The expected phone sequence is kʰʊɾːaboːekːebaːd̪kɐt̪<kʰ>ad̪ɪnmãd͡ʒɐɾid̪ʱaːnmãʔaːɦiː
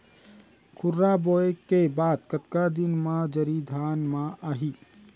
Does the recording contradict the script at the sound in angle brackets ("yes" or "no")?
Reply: yes